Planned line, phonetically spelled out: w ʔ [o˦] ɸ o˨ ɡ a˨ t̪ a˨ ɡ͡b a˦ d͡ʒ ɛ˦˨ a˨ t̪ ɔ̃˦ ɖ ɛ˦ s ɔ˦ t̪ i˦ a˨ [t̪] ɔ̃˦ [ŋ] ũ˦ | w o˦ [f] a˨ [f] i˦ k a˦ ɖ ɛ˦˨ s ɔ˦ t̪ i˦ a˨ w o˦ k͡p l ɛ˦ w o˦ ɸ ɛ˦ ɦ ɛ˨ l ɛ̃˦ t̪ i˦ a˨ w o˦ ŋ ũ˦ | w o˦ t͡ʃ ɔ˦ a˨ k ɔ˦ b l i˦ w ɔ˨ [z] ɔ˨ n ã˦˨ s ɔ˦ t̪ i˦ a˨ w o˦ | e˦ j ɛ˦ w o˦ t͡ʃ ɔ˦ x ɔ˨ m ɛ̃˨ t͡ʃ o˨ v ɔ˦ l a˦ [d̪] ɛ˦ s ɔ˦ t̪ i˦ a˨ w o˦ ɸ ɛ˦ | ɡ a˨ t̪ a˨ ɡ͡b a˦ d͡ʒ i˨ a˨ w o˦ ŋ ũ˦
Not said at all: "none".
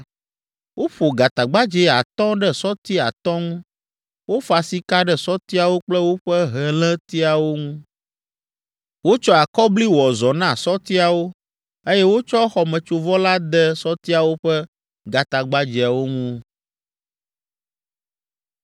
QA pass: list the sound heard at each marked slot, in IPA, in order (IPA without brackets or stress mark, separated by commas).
o˦, t̪, ŋ, f, s, z, d̪